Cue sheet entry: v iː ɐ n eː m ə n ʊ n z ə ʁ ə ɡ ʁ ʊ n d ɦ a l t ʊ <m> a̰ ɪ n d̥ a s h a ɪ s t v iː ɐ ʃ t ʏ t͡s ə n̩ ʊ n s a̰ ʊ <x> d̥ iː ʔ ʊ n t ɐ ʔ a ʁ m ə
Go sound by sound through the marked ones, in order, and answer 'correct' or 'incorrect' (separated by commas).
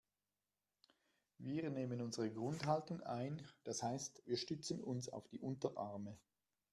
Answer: incorrect, incorrect